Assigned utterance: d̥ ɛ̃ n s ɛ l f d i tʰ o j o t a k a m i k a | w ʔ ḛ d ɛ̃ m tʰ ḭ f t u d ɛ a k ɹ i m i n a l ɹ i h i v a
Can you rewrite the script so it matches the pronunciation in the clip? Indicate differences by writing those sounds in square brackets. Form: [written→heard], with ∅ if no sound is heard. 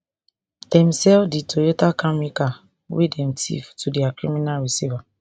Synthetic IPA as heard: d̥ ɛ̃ [n→m] s ɛ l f d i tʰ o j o t a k a m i k a | w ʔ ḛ d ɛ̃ m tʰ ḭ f t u d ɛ a k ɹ i m i n a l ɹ i [h→s] i v a